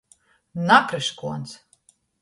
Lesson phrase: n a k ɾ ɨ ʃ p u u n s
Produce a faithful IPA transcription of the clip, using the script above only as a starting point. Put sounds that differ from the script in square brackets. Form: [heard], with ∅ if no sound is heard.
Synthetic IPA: n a k ɾ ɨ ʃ [k] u [ɔ] n s